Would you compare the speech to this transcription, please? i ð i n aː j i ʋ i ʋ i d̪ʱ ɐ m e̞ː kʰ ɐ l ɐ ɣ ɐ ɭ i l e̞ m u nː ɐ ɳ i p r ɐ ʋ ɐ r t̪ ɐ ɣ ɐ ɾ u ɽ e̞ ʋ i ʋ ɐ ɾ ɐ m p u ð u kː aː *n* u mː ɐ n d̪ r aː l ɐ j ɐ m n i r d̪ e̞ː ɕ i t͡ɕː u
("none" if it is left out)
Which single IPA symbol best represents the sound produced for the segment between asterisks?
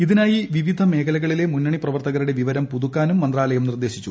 n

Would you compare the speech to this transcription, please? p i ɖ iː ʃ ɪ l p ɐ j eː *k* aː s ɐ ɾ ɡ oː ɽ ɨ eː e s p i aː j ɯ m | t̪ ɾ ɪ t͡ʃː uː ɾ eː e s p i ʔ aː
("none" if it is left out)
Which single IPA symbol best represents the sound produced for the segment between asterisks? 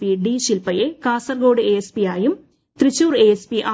k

